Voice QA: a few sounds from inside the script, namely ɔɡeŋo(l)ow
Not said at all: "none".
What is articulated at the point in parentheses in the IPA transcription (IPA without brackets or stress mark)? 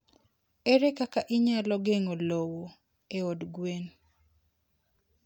l